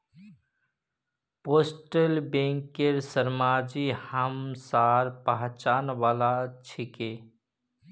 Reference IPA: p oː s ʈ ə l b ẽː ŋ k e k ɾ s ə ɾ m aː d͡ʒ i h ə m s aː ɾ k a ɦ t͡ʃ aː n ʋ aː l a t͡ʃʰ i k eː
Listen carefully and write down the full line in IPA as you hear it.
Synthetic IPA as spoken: p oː s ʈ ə l b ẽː ŋ k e ɾ s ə ɾ m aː d͡ʒ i h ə m s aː ɾ p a ɦ t͡ʃ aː n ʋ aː l a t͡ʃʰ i k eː